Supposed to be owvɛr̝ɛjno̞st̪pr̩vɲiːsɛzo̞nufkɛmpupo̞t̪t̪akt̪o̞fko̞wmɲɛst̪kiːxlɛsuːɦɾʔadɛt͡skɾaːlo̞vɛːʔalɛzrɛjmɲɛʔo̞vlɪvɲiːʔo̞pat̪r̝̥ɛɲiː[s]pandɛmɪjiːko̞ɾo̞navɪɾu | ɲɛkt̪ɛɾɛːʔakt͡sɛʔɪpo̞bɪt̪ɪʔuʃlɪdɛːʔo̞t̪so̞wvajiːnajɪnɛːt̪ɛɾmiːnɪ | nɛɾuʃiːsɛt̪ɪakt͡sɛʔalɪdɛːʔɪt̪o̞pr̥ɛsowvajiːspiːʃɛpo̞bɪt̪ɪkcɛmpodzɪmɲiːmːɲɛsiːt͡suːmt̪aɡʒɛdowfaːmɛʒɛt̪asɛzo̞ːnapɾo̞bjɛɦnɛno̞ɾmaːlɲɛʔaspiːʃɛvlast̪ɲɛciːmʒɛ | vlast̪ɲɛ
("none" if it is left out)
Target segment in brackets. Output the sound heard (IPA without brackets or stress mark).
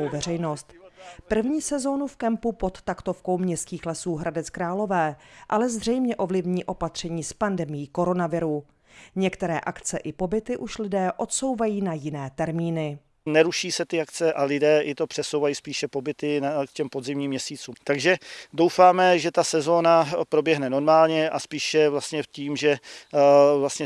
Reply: s